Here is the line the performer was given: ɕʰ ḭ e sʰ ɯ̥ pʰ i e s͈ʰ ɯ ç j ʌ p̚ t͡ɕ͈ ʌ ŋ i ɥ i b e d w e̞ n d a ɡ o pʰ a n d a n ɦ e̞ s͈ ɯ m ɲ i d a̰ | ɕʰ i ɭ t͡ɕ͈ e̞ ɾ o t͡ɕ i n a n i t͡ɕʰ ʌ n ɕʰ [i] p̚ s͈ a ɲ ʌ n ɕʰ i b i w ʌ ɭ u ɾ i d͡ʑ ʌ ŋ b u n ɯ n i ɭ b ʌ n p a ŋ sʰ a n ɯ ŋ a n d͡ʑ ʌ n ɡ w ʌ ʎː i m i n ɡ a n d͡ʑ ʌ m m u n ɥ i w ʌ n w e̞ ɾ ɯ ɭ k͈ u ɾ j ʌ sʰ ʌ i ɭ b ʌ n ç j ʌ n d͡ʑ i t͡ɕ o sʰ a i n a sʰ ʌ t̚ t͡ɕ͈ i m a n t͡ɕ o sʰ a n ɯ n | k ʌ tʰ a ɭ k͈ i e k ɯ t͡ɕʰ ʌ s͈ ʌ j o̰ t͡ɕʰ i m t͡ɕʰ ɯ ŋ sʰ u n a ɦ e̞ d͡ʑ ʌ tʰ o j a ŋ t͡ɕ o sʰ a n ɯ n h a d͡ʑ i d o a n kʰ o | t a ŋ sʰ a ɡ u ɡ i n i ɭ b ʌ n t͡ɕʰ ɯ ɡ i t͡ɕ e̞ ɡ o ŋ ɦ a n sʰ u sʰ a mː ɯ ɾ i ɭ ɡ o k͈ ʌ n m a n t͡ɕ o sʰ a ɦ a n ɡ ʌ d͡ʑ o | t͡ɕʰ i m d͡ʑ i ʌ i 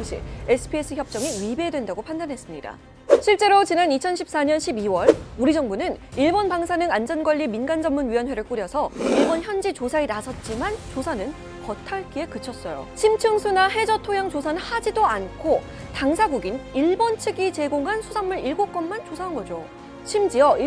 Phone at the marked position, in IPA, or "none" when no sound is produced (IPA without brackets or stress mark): i